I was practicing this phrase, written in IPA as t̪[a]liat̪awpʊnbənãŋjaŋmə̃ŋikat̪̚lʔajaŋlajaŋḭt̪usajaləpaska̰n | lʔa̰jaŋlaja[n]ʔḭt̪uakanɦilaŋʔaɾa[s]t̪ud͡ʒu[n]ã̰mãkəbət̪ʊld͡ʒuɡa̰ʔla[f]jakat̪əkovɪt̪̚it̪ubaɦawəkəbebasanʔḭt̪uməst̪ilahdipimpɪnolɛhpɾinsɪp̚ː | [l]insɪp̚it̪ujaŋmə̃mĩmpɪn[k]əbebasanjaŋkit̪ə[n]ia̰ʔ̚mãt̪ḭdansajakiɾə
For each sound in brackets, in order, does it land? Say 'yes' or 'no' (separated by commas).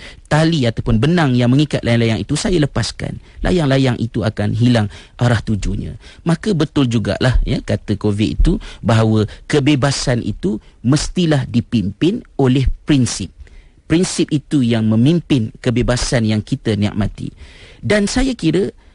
yes, no, no, no, no, no, yes, yes